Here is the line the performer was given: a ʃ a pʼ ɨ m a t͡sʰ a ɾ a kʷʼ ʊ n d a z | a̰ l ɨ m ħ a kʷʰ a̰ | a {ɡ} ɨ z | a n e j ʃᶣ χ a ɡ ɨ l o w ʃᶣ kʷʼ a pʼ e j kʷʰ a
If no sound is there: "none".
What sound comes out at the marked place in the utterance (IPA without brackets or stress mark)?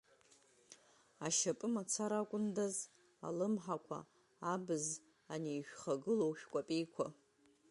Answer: b